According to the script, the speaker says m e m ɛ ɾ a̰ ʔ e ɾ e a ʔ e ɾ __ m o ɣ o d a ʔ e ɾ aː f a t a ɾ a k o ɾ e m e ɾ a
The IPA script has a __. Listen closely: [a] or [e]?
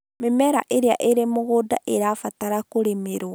e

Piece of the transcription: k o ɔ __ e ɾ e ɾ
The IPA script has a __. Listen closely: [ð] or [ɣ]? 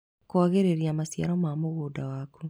ɣ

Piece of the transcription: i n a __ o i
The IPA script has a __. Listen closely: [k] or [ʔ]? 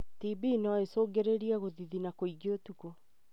k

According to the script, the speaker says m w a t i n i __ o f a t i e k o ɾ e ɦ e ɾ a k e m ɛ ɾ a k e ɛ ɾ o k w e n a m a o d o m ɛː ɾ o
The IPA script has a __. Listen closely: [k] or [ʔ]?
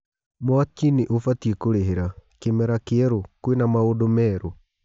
ʔ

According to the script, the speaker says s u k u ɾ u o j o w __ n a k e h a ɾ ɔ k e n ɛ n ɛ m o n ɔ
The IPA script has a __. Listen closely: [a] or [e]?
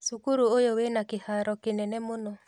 e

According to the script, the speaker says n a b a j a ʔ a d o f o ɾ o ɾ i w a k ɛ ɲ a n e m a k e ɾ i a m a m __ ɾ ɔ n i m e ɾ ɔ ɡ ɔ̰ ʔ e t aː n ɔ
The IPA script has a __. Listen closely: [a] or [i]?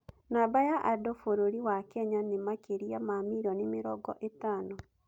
i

